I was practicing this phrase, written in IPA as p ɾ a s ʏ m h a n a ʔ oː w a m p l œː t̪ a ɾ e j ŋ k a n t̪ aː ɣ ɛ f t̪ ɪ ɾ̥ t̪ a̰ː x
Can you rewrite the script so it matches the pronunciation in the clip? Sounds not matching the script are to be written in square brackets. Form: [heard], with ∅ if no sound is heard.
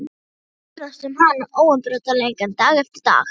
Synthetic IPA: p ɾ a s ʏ m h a n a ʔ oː w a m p [ɾ] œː t̪ a [l] e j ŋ k a n t̪ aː ɣ ɛ f t̪ ɪ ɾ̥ t̪ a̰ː x